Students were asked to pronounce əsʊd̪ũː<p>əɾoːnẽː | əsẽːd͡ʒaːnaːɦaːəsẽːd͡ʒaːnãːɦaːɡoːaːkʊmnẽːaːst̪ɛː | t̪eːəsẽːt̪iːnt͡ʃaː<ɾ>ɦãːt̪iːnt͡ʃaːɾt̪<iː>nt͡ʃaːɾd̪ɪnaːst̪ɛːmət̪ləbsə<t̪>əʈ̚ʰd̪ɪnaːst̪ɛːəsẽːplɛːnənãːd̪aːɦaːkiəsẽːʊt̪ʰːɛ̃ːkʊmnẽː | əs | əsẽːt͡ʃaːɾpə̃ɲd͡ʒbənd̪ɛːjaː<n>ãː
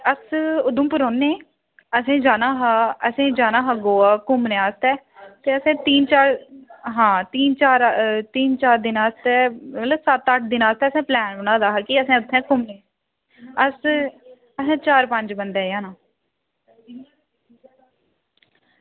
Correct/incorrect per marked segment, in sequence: correct, correct, correct, correct, correct

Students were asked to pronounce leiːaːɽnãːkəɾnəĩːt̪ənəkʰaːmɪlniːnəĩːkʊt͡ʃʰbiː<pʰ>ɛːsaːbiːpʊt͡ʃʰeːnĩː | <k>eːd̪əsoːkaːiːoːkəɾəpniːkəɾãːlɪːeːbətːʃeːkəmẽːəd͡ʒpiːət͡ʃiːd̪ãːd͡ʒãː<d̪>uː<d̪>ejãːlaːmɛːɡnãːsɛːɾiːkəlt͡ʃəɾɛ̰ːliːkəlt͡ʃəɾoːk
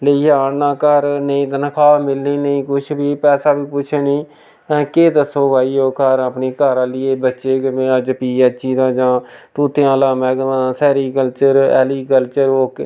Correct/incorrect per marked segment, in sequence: incorrect: p, correct, incorrect: t̪, incorrect: t̪

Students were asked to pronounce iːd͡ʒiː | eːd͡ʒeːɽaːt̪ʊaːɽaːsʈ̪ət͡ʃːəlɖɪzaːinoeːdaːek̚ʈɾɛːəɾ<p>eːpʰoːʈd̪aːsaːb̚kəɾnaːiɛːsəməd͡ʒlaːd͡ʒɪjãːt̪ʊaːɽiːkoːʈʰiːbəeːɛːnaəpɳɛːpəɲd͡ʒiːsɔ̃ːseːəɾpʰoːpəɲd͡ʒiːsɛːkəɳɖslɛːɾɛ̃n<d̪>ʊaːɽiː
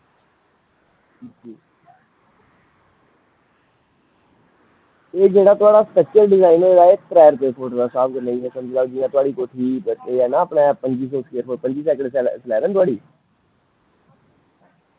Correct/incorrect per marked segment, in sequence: correct, incorrect: t̪

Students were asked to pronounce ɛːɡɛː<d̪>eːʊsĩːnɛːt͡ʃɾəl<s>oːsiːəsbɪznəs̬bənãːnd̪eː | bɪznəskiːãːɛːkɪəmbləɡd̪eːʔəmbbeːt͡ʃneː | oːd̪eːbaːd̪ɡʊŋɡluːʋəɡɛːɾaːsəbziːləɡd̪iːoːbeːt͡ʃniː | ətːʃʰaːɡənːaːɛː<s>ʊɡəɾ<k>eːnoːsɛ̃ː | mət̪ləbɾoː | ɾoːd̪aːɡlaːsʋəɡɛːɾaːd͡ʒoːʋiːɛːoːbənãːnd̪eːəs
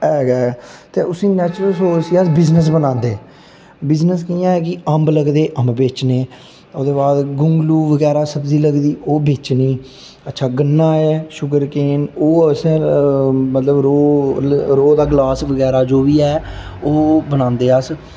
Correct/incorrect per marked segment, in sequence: incorrect: t̪, correct, incorrect: ʃ, correct

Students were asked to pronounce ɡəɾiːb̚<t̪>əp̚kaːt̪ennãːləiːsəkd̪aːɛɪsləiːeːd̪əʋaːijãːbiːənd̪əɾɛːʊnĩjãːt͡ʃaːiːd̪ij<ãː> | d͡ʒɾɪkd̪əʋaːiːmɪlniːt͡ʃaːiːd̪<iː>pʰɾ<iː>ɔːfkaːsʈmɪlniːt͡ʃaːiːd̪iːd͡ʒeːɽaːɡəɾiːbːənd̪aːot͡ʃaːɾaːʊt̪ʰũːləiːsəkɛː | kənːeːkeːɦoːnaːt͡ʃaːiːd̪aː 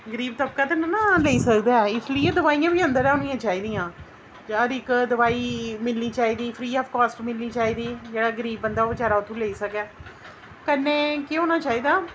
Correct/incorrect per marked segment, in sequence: correct, correct, correct, correct

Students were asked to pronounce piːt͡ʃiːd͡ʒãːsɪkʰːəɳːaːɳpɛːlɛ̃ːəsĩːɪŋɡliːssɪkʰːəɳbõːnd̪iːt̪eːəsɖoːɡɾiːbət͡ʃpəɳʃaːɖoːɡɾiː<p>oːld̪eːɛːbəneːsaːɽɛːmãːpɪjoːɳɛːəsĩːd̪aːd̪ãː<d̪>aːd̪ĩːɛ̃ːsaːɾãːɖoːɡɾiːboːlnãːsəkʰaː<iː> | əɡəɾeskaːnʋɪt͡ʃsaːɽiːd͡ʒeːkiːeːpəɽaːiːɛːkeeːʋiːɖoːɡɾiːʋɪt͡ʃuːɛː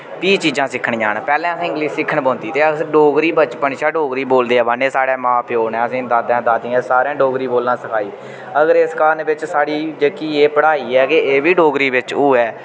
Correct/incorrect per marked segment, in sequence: incorrect: b, correct, correct

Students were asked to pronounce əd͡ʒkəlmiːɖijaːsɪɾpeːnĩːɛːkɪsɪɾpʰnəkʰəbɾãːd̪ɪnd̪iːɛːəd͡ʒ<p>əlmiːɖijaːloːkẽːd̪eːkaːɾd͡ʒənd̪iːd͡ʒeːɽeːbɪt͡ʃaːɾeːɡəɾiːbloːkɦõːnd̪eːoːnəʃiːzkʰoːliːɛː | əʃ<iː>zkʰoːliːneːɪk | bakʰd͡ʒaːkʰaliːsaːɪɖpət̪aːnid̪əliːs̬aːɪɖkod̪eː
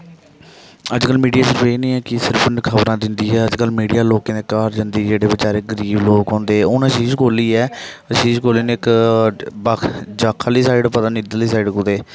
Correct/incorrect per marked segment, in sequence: incorrect: k, correct

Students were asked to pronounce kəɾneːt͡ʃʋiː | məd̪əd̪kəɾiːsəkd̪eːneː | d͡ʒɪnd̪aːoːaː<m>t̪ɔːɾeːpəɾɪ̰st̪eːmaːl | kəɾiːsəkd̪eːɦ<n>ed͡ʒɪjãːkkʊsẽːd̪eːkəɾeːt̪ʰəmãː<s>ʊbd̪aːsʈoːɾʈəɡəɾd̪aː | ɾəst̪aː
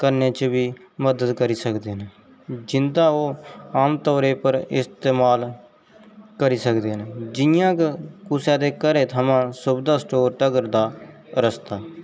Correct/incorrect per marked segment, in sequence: correct, correct, correct

